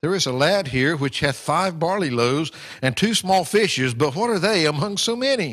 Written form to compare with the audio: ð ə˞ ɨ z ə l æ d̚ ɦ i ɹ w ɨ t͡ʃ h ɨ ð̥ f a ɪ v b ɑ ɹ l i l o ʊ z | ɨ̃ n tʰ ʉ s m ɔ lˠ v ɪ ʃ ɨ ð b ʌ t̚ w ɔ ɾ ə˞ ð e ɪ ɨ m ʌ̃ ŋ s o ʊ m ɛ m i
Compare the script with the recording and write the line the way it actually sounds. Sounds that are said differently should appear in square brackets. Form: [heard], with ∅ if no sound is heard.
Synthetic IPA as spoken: ð ə˞ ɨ z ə l æ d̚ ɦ i ɹ w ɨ t͡ʃ h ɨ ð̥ f a ɪ v b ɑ ɹ l i l o ʊ z | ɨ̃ n tʰ ʉ s m ɔ lˠ [f] ɪ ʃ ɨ [z] b ʌ t̚ w [ʌ] ɾ ə˞ ð e ɪ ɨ m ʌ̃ ŋ s o ʊ m ɛ [n] i